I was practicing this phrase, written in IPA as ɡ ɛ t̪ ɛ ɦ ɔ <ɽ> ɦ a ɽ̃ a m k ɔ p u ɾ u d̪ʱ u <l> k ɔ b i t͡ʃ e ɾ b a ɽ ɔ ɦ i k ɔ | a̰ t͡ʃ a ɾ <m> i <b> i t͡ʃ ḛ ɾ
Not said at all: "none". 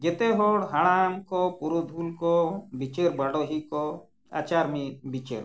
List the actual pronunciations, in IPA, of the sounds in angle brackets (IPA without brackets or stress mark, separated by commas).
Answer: ɽ, l, m, b